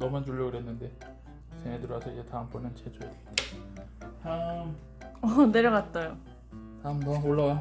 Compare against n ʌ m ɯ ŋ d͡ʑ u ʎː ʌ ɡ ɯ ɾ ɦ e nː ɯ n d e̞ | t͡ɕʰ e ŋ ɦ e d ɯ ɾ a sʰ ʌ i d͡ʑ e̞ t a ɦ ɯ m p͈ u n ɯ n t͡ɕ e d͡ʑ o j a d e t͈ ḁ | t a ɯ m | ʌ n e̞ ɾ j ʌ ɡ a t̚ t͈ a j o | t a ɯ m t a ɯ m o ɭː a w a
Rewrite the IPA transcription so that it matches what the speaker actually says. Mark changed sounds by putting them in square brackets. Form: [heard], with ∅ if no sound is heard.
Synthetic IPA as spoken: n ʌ m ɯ [n] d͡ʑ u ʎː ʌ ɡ ɯ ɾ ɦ e nː ɯ n d e̞ | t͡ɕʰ e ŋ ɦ e d ɯ ɾ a sʰ ʌ i d͡ʑ e̞ t a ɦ ɯ m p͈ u n ɯ n t͡ɕ e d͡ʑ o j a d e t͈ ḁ | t a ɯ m | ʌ n e̞ ɾ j ʌ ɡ a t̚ t͈ a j o | t a ɯ m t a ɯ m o ɭː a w a